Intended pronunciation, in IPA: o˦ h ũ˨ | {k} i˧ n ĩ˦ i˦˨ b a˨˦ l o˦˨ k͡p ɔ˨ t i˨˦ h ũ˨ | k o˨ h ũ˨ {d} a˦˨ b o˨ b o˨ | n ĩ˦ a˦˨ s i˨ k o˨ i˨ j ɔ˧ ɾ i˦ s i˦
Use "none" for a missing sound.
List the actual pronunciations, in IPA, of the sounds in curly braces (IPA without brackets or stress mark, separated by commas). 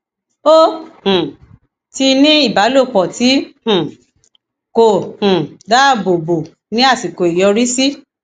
t, d